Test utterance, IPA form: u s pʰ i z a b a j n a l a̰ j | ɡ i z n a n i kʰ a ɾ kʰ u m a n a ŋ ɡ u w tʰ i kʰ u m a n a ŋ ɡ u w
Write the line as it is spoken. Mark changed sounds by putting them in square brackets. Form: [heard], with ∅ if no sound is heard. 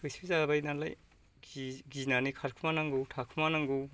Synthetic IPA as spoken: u s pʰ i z a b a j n a l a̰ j | ɡ i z n a n i kʰ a ɾ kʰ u m a n a ŋ ɡ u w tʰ [a] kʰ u m a n a ŋ ɡ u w